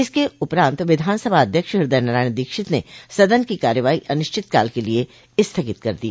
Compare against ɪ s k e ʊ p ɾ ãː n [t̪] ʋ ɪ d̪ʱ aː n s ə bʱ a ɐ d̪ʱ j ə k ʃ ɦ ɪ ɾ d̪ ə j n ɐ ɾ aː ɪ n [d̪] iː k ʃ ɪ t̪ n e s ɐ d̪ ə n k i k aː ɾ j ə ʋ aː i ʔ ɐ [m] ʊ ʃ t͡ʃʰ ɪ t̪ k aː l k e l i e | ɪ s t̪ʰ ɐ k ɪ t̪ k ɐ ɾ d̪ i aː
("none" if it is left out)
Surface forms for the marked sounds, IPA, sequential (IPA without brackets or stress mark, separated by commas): t̪, d̪, n